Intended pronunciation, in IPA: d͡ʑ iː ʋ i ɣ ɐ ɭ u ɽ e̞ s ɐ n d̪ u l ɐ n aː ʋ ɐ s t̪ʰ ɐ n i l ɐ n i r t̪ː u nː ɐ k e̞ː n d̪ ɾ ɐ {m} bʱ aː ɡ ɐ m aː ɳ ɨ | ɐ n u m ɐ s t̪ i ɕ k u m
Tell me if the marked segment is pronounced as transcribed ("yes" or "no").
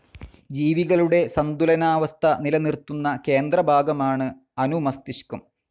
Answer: no